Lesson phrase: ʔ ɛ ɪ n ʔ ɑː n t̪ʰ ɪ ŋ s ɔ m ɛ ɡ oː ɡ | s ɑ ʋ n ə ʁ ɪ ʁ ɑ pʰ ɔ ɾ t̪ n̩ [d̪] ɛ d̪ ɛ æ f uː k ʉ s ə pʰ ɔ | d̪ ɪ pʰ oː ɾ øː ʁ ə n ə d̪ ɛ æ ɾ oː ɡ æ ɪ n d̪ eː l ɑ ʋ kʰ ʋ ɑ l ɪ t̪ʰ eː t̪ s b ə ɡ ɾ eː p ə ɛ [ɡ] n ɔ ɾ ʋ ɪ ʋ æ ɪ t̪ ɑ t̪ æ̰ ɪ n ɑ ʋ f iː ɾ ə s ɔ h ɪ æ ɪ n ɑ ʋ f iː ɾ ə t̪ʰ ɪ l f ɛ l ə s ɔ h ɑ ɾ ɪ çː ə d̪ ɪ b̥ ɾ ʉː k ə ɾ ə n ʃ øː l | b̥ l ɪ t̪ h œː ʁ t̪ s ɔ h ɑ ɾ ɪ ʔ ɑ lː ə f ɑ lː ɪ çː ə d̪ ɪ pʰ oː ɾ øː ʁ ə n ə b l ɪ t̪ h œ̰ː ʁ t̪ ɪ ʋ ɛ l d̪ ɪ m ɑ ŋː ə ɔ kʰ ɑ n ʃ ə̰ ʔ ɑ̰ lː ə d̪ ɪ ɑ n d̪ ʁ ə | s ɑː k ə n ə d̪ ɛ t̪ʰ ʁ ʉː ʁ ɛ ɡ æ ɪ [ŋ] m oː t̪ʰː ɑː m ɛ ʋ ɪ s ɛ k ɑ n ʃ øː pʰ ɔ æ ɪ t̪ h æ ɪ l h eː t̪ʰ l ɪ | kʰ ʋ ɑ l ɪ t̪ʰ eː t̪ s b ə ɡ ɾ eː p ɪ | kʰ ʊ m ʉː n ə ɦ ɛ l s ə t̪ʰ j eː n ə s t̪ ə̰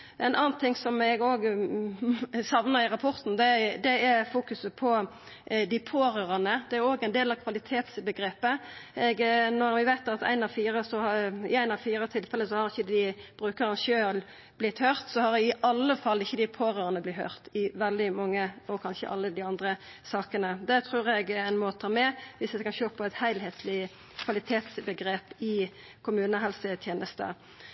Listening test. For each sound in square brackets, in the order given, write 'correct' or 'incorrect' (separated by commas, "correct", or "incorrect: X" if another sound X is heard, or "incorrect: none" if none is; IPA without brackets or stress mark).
correct, correct, incorrect: n